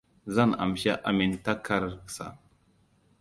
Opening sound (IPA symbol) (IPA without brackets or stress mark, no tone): z